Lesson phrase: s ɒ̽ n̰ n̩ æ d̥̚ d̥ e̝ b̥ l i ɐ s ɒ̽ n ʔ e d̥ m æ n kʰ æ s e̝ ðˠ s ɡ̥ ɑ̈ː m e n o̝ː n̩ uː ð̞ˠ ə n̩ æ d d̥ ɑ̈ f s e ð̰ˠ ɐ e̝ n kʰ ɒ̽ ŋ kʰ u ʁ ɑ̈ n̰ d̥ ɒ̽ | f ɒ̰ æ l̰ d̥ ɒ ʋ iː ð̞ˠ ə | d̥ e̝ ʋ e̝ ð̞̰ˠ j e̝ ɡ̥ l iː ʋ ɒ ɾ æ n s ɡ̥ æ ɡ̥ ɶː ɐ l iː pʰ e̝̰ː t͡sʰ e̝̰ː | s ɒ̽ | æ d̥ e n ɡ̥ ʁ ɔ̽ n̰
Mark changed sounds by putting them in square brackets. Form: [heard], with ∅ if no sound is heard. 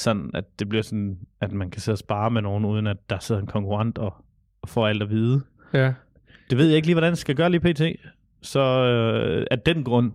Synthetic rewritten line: s ɒ̽ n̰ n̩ æ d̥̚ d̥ e̝ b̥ l i ɐ s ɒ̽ n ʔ [æ] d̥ m æ n kʰ æ s e̝ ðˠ s [b̥] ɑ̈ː m e n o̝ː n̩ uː ð̞ˠ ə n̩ æ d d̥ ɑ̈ [∅] s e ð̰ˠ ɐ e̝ n kʰ ɒ̽ ŋ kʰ u ʁ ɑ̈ n̰ d̥ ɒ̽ | f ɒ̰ æ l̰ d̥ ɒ ʋ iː ð̞ˠ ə | d̥ e̝ ʋ e̝ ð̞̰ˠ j e̝ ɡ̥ l iː ʋ ɒ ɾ æ n s ɡ̥ æ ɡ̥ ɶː ɐ l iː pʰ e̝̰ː t͡sʰ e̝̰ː | s ɒ̽ | æ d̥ e n ɡ̥ ʁ ɔ̽ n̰